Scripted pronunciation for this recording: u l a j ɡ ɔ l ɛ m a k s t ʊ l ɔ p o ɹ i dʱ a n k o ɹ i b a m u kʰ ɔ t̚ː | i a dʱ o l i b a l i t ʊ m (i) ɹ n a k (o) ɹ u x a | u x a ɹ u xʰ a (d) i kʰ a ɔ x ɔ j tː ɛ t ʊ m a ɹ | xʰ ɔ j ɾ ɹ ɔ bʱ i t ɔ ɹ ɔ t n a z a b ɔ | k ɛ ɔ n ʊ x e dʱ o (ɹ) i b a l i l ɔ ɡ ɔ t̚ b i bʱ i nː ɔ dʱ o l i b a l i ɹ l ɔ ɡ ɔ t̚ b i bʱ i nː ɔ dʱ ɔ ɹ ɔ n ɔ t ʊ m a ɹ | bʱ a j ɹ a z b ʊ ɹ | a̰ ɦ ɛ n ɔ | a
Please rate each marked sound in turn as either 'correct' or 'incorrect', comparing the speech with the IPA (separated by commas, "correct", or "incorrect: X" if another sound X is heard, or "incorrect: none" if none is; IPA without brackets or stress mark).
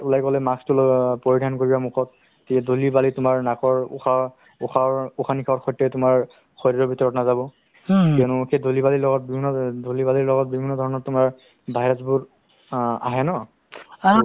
incorrect: a, incorrect: ɔ, incorrect: n, incorrect: l